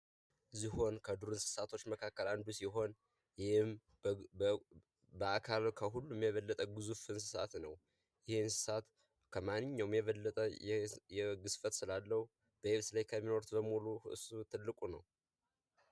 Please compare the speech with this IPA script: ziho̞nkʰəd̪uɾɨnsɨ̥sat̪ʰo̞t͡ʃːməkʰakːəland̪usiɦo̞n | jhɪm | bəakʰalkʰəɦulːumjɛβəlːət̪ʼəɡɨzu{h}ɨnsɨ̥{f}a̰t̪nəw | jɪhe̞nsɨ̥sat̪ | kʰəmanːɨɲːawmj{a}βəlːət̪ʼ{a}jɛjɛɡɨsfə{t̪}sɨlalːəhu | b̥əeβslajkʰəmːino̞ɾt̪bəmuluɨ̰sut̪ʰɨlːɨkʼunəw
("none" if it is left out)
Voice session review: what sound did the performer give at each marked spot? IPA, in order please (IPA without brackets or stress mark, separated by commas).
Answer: f, s, ɛ, ə, t̪